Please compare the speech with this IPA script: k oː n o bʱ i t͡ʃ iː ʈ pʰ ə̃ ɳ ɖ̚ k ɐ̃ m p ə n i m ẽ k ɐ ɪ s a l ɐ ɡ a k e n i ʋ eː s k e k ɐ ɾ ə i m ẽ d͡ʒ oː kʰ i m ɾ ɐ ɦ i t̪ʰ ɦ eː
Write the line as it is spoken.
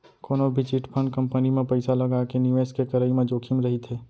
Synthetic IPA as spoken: k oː n o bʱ i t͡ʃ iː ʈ pʰ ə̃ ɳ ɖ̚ k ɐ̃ m p ə n i m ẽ p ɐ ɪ s a l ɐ ɡ a k e n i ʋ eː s k e k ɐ ɾ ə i m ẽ d͡ʒ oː kʰ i m ɾ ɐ ɦ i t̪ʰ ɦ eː